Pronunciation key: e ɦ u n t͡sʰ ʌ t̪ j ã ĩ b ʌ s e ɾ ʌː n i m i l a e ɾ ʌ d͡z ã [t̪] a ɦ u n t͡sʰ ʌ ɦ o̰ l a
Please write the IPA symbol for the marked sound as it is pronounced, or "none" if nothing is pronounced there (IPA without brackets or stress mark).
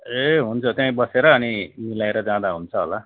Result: d̪